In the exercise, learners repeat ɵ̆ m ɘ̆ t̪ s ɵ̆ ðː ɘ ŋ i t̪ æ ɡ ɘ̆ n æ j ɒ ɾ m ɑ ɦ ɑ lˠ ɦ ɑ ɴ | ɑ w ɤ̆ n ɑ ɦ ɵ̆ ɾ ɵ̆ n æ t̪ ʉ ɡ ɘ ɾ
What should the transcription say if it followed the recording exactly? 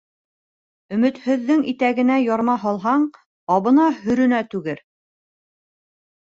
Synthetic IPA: ɵ̆ m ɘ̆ t̪ h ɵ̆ ðː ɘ ŋ i t̪ æ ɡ ɘ̆ n æ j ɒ ɾ m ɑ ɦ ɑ lˠ ɦ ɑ ɴ | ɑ β ɤ̆ n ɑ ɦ ɵ̆ ɾ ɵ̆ n æ t̪ ʉ ɡ ɘ ɾ

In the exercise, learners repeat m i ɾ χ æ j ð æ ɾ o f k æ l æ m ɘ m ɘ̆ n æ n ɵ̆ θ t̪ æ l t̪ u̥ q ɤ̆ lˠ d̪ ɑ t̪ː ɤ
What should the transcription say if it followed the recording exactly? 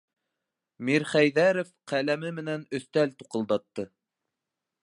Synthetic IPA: m i ɾ χ æ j ð æ ɾ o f q æ l æ m ɘ m ɘ̆ n æ n ɵ̆ θ t̪ æ l t̪ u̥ q ɤ̆ lˠ d̪ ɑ t̪ː ɤ

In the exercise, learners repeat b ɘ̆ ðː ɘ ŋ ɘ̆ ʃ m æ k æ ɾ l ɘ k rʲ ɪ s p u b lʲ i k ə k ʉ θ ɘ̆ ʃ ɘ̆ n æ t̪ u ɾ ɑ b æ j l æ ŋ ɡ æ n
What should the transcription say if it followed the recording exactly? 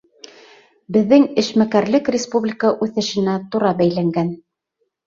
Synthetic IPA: b ɘ̆ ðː ɘ ŋ ɘ̆ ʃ m æ k æ ɾ l ɘ k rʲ ɪ s p u b lʲ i k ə ʔ ʉ θ ɘ̆ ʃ ɘ̆ n æ t̪ u ɾ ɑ b æ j l æ ŋ ɡ æ n

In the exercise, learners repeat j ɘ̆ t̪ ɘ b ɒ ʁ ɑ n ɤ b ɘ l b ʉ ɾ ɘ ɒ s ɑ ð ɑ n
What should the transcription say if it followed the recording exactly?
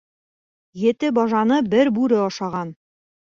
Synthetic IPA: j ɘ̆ t̪ ɘ b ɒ ʒ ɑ n ɤ b ɘ ɾ b ʉ ɾ ɘ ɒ ʃ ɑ ʁ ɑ n

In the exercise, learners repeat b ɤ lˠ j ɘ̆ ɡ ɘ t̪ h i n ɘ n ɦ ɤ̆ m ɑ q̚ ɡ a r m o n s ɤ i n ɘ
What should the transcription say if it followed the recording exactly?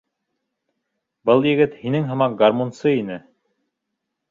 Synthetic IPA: b ɤ lˠ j ɘ̆ ɡ ɘ t̪ h i n ɘ ŋ ɦ ɤ̆ m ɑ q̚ ɡ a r m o n s ɤ i n ɘ

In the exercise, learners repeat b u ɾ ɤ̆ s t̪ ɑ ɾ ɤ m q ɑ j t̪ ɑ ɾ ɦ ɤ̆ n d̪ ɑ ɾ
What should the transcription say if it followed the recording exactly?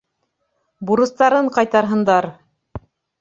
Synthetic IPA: b u ɾ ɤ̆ s t̪ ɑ ɾ ɤ ɴ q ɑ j t̪ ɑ ɾ ɦ ɤ̆ n d̪ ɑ ɾ

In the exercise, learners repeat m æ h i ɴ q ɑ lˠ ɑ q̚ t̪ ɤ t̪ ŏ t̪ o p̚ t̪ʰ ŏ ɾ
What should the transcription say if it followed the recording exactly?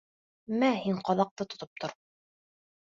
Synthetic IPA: m æ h i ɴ q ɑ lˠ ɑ q̚ t̪ ɤ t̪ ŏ t̪ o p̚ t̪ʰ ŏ ɾ

